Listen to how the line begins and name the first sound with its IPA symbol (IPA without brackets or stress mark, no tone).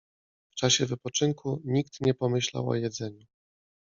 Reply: f